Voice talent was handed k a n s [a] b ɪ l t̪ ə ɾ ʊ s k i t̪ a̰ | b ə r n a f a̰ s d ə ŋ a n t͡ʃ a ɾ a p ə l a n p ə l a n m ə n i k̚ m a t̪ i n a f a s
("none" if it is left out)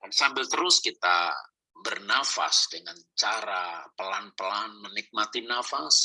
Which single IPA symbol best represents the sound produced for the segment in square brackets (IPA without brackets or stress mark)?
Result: a